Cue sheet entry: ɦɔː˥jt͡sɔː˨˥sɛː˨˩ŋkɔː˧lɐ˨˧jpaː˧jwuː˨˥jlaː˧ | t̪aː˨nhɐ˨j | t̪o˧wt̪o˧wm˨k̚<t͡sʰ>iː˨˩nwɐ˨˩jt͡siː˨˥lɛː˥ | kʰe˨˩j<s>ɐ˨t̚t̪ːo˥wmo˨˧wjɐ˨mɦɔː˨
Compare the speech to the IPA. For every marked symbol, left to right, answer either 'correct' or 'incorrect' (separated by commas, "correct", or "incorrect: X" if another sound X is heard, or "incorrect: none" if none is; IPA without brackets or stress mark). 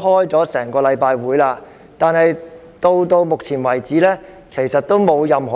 correct, correct